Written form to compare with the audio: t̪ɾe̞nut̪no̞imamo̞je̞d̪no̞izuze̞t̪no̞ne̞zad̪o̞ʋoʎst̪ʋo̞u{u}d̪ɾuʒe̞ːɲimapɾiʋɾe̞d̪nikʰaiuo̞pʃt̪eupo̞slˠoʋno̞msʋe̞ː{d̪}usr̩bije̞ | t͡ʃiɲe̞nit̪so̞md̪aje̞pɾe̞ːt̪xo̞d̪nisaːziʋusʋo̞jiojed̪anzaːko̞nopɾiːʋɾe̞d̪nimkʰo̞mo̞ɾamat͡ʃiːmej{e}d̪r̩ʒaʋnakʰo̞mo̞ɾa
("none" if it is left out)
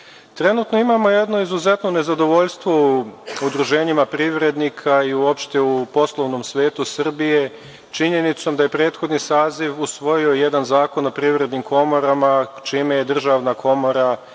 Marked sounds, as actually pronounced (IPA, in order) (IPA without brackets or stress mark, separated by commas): u, t̪, e